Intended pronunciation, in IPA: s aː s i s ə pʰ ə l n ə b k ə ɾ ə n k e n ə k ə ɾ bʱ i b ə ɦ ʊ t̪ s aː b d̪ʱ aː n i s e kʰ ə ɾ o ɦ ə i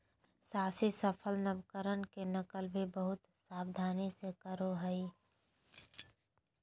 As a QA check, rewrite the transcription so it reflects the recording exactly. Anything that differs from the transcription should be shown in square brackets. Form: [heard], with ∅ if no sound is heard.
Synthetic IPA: s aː s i s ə pʰ ə l n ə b k ə ɾ ə n k e n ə k ə [l] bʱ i b ə ɦ ʊ t̪ s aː b d̪ʱ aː n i s e [k] ə ɾ o ɦ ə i

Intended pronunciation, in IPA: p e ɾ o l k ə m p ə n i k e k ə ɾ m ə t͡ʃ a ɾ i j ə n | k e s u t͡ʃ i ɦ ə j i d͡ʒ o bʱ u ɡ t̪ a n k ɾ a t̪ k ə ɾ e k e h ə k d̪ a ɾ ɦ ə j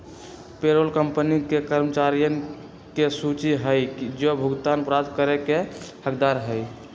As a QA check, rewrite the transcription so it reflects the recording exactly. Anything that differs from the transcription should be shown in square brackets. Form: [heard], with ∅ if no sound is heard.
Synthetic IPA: p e ɾ o l k ə m p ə n i k e k ə ɾ m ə t͡ʃ a ɾ i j ə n | k e s u t͡ʃ i ɦ ə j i d͡ʒ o bʱ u ɡ t̪ a n [p] ɾ a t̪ k ə ɾ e k e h ə k d̪ a ɾ ɦ ə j

